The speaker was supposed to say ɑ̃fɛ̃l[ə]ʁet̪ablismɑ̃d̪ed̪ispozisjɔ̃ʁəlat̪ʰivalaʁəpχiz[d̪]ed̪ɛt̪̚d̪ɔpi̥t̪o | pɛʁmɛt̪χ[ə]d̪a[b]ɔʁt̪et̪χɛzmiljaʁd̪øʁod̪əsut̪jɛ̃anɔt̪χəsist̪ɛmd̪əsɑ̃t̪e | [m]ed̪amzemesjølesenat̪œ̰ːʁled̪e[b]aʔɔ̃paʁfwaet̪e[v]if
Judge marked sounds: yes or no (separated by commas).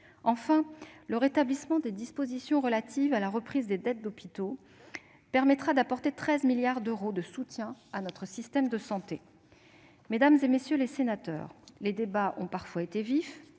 yes, yes, no, no, yes, yes, yes